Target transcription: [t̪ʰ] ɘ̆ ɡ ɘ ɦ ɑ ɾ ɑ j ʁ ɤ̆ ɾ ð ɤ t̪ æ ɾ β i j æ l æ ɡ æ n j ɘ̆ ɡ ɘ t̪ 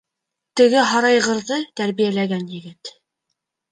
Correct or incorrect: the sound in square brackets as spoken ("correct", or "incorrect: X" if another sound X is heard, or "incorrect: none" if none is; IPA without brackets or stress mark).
incorrect: t̪